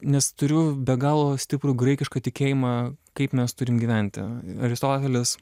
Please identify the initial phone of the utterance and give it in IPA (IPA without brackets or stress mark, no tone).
nʲ